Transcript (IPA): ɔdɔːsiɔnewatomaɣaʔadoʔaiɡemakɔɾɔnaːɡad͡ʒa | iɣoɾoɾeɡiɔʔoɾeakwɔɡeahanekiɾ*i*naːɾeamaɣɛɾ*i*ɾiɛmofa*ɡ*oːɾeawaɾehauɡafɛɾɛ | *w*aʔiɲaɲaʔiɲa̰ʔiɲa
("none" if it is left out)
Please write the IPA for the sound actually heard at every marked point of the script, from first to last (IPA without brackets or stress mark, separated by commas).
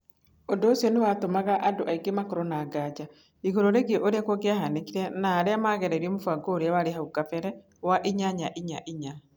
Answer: ɛ, ɛ, ɡ, w